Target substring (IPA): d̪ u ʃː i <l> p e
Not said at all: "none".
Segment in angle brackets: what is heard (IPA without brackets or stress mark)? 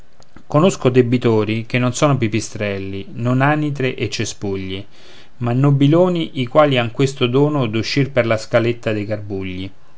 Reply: r